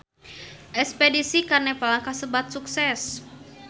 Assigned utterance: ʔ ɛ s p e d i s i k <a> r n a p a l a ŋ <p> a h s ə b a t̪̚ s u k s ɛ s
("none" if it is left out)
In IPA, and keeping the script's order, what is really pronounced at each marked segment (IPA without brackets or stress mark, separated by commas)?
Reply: a, k